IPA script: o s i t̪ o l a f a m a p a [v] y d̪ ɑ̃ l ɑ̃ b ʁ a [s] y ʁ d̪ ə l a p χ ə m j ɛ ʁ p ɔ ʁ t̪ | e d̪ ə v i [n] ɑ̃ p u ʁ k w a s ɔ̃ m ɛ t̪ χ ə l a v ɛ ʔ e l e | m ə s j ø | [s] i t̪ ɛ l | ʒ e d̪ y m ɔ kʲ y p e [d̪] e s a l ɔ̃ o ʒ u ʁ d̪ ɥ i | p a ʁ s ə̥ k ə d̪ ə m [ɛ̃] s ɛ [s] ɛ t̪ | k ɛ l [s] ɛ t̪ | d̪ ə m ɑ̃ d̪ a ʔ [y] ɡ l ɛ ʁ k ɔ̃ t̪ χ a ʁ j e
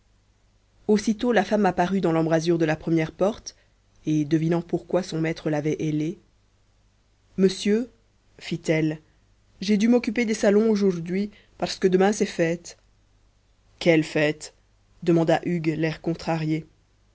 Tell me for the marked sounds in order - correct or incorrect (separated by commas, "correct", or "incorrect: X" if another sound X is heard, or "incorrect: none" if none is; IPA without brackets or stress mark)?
incorrect: ʁ, incorrect: z, correct, incorrect: f, correct, correct, incorrect: f, incorrect: f, correct